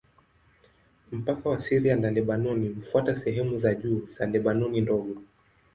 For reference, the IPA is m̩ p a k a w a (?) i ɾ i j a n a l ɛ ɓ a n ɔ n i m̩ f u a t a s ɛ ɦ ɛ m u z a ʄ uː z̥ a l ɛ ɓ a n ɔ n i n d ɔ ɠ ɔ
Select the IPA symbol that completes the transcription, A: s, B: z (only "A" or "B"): A